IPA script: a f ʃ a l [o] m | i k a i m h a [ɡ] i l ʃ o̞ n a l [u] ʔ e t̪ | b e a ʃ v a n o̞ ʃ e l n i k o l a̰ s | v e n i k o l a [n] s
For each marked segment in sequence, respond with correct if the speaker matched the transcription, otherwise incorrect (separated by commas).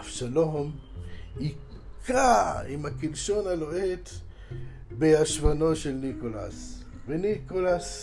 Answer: correct, incorrect, incorrect, incorrect